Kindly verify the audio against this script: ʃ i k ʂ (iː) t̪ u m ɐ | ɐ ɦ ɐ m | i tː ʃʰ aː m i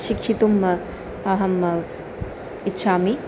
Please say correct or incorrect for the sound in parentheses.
incorrect